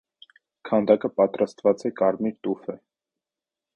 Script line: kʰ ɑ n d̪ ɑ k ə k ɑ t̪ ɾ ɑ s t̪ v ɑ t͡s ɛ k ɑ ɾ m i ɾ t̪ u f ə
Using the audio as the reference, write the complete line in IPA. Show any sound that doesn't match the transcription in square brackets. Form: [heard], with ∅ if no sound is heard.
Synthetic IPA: kʰ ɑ n d̪ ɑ k ə [p] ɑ t̪ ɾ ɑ s t̪ v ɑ t͡s ɛ k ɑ ɾ m i ɾ t̪ u f ə